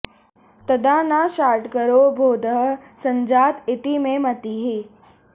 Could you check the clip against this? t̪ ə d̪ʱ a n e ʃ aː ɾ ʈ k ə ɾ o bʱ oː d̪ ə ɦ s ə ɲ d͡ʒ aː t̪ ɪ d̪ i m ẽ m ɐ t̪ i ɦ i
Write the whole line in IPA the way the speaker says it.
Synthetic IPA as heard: t̪ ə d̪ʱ a n a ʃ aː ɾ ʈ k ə ɾ o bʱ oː d̪ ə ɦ s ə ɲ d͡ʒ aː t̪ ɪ t̪ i m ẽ m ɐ t̪ i ɦ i